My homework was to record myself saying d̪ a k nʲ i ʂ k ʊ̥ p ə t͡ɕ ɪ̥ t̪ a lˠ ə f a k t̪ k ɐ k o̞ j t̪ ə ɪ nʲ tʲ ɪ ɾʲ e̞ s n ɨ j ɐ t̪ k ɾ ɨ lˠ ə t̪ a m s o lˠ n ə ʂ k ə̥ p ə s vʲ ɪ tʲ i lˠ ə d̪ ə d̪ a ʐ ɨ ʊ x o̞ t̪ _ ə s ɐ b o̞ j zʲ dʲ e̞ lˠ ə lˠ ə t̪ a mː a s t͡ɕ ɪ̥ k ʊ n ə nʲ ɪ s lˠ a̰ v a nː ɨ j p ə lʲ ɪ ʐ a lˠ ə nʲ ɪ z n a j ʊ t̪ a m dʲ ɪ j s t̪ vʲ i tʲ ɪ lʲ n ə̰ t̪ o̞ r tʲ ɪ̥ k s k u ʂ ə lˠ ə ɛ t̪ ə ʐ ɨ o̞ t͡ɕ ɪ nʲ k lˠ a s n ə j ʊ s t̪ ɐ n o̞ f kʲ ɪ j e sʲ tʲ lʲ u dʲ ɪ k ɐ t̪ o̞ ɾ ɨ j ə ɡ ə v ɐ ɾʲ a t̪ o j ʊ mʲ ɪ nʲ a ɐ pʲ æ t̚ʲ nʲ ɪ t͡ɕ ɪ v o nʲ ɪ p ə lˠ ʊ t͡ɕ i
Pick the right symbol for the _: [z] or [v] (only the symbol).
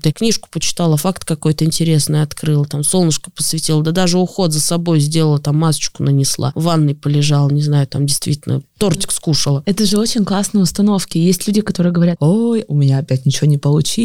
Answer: z